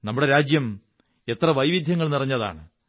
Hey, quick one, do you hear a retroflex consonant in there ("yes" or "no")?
yes